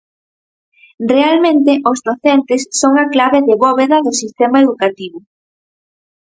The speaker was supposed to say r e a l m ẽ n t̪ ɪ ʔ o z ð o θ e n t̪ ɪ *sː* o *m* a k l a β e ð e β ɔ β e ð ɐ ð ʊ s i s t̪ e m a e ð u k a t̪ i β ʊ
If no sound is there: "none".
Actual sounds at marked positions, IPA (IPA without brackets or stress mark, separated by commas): sː, ŋ